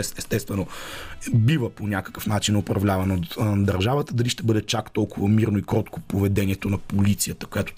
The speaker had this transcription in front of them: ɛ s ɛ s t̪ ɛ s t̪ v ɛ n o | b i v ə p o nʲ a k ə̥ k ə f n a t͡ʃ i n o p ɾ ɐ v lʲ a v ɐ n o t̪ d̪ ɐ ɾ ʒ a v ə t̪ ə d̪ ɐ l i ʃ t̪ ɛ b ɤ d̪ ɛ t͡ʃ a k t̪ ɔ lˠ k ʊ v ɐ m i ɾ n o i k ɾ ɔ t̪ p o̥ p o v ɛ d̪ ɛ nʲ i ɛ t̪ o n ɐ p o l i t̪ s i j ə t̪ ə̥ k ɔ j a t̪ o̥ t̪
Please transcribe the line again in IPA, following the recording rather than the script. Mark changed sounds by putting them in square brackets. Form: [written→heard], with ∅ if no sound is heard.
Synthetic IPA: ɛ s ɛ s t̪ ɛ s t̪ v ɛ n o | b i v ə p o nʲ a k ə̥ k ə f n a t͡ʃ i n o p ɾ ɐ v lʲ a v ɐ n o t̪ d̪ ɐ ɾ ʒ a v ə t̪ ə d̪ ɐ l i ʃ t̪ ɛ b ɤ d̪ ɛ t͡ʃ a k t̪ ɔ lˠ k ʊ v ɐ m i ɾ n o i k ɾ ɔ t̪ [p→k] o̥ p o v ɛ d̪ ɛ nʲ i ɛ t̪ o n ɐ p o l i t̪ s i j ə t̪ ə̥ k [ɔ→o] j a t̪ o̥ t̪